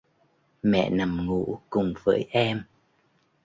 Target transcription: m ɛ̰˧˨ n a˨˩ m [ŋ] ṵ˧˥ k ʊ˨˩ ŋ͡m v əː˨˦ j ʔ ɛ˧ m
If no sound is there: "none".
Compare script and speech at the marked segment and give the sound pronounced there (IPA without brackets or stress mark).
ŋ